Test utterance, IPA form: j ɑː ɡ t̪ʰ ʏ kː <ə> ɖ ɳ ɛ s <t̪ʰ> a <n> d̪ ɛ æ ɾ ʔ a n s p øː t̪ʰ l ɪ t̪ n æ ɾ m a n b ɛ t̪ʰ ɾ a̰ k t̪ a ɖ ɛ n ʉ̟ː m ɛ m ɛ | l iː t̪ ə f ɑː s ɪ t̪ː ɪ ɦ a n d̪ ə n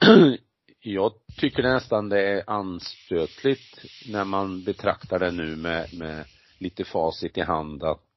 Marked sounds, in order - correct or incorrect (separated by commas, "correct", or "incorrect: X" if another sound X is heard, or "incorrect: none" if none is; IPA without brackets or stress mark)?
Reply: correct, incorrect: t̪, correct